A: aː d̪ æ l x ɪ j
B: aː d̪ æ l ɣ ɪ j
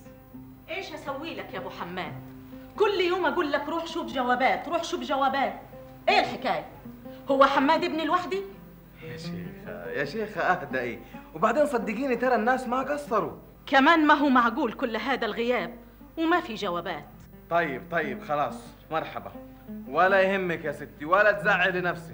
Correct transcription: B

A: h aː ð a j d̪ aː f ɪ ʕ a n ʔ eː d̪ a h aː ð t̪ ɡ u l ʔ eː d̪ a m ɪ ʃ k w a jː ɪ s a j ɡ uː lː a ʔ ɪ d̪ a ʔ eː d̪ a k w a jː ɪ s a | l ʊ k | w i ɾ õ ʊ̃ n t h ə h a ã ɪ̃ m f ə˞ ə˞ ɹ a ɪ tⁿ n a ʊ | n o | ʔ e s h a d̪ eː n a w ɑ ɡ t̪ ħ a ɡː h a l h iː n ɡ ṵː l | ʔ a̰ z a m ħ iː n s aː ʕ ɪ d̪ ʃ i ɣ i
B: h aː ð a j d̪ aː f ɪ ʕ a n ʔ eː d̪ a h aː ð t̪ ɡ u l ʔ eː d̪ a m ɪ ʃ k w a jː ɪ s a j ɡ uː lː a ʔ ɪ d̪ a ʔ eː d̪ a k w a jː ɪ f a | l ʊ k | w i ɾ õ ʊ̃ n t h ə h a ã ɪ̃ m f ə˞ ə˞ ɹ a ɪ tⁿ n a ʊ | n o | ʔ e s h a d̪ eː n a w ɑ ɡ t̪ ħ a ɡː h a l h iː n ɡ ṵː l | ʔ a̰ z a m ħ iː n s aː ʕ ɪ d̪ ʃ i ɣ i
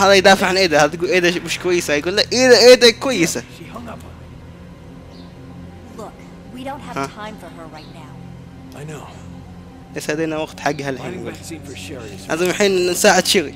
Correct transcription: A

